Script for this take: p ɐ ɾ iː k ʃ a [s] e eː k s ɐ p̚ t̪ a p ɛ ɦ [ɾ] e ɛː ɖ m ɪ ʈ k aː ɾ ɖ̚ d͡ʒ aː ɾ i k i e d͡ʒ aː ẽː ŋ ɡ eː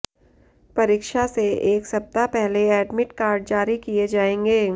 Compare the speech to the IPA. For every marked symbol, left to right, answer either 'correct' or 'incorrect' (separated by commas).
correct, incorrect